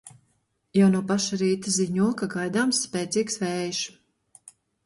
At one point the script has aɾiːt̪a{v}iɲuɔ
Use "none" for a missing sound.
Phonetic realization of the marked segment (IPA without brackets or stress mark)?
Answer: z